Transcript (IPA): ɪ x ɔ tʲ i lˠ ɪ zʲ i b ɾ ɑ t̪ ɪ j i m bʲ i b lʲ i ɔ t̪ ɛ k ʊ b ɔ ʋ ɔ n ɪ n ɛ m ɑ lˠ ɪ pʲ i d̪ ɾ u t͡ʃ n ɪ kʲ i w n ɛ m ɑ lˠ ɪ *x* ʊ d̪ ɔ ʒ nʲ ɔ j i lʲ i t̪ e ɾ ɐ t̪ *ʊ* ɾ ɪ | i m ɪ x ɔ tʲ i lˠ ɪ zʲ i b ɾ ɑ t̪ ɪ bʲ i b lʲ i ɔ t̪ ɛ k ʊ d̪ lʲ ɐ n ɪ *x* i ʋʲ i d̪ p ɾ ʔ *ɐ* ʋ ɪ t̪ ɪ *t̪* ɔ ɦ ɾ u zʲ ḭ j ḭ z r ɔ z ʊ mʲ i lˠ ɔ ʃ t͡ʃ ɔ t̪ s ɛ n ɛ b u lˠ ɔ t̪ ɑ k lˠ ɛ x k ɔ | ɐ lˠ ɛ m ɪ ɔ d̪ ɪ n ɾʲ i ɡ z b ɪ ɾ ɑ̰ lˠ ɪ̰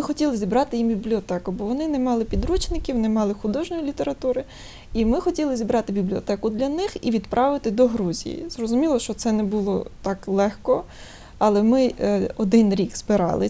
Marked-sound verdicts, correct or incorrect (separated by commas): correct, incorrect, correct, incorrect, incorrect